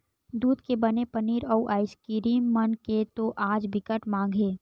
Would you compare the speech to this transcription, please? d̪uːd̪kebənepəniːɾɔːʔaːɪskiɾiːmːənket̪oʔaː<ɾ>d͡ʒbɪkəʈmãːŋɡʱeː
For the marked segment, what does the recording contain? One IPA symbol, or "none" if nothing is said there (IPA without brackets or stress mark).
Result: none